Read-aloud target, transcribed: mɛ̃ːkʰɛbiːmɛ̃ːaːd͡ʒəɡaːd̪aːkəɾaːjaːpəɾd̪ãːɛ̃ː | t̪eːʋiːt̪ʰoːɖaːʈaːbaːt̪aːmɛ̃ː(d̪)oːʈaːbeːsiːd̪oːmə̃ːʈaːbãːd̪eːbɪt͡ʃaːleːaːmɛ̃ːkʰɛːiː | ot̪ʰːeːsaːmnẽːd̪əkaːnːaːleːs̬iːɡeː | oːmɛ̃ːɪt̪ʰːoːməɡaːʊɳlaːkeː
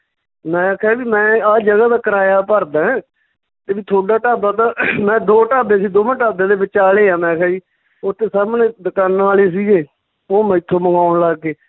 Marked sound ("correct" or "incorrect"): correct